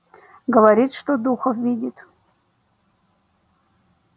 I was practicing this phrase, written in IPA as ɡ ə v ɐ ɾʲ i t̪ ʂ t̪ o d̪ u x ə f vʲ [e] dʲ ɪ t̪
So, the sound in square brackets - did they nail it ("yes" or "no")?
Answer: no